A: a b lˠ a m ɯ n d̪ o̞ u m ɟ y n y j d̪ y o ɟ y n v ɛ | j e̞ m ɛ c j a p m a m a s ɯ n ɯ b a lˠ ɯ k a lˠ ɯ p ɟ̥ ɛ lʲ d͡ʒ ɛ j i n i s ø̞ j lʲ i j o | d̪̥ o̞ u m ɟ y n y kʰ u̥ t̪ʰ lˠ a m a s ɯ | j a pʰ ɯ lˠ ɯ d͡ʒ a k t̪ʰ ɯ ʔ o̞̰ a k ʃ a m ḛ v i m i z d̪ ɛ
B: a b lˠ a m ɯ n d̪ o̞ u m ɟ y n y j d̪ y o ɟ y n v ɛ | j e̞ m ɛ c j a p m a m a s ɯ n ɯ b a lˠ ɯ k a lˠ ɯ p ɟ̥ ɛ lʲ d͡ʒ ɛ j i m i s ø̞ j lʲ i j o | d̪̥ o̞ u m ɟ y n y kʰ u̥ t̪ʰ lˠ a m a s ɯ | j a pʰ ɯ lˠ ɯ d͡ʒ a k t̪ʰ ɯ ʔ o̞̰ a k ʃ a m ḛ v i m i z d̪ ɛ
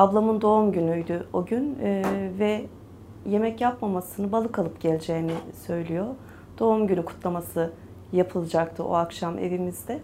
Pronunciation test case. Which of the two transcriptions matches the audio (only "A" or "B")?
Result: A